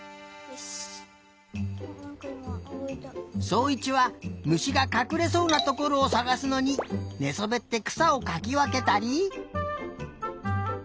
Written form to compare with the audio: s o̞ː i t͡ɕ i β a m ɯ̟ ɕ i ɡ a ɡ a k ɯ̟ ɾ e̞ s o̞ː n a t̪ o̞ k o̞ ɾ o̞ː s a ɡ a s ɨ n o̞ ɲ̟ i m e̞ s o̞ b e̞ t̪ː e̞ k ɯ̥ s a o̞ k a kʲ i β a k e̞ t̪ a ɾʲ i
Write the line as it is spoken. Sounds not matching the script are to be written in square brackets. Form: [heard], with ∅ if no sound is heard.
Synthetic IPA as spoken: s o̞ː i t͡ɕ i β a m ɯ̟ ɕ i ɡ a [k] a k ɯ̟ ɾ e̞ s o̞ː n a t̪ o̞ k o̞ ɾ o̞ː s a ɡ a s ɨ n o̞ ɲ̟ i [n] e̞ s o̞ b e̞ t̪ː e̞ k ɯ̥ s a o̞ k a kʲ i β a k e̞ t̪ a ɾʲ i